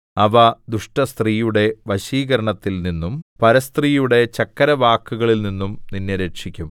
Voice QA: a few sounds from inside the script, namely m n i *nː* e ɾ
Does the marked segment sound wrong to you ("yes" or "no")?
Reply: no